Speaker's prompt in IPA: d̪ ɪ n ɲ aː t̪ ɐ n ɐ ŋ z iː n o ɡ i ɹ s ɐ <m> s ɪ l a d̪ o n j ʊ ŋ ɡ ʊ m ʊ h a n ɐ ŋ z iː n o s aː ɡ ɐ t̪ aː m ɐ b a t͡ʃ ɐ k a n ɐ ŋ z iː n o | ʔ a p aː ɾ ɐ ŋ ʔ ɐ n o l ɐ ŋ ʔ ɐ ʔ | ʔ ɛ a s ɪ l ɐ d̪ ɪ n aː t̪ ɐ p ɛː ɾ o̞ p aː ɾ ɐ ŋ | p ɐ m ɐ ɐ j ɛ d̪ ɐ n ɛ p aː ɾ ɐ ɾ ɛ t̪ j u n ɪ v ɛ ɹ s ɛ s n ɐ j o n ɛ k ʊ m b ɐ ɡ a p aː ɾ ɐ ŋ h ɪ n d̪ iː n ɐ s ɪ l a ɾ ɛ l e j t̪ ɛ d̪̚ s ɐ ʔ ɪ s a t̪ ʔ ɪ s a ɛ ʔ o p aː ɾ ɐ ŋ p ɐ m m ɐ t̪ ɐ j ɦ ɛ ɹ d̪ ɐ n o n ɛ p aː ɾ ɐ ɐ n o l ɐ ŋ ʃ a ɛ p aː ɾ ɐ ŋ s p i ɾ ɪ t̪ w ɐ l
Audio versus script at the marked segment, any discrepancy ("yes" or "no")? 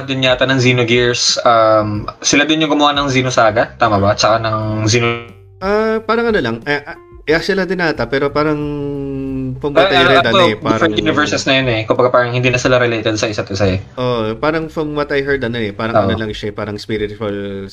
no